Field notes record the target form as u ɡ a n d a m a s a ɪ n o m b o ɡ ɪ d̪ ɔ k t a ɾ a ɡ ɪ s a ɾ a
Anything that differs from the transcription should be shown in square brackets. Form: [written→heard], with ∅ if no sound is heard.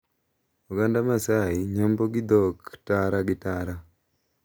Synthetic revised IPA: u ɡ a n d a m a s a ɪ [n→ɲ] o m b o ɡ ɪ d̪ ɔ k t a ɾ a ɡ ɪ [s→t] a ɾ a